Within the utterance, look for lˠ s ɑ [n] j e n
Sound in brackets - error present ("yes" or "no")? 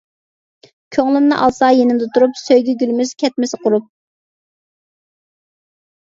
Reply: yes